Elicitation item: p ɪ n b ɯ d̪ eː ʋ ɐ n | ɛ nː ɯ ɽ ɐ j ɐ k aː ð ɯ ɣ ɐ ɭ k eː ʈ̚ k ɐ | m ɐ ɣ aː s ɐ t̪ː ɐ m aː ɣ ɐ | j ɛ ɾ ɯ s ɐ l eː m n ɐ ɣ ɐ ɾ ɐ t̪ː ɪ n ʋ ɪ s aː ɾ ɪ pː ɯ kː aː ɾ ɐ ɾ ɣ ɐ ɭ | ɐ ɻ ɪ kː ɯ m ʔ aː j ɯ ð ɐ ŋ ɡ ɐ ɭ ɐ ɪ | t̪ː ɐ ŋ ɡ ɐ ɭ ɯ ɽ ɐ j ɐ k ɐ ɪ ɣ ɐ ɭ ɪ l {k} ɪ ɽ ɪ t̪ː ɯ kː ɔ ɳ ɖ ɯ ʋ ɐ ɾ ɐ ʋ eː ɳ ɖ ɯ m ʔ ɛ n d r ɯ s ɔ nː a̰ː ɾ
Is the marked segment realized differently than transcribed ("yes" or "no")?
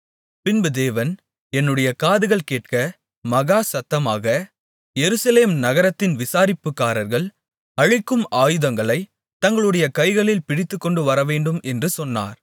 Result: yes